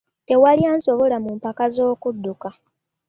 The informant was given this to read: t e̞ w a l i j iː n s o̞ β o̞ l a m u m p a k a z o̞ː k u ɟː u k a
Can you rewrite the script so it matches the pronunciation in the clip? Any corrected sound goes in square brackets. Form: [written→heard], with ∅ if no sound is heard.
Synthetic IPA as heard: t e̞ w a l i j [iː→aː] n s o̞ β o̞ l a m u m p a k a z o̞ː k u [ɟː→dː] u k a